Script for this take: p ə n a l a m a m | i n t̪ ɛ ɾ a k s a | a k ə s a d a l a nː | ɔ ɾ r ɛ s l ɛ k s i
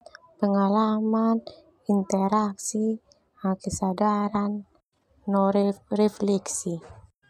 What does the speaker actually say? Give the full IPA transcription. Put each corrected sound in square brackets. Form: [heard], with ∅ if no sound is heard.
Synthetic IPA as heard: p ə [ŋ] a l a m a [n] | i n t̪ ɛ ɾ a k s [i] | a k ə s a d a [ɾ] a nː | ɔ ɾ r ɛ [f] l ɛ k s i